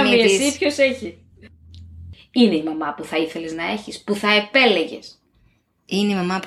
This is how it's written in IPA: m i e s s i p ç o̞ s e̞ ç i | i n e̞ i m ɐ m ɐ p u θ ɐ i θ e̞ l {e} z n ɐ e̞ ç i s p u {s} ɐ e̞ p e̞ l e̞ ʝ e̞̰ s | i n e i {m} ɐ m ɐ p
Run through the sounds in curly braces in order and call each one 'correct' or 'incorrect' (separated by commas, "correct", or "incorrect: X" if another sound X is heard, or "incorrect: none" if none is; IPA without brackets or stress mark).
correct, incorrect: θ, correct